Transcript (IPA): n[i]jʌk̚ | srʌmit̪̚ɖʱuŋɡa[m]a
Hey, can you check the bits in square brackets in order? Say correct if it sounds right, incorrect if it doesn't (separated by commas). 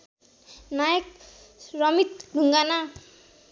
incorrect, incorrect